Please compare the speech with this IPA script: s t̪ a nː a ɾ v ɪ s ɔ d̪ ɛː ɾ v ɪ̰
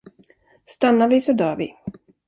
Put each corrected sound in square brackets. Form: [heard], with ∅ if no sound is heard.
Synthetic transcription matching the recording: s t̪ a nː a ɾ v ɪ s ɔ d̪ [œː] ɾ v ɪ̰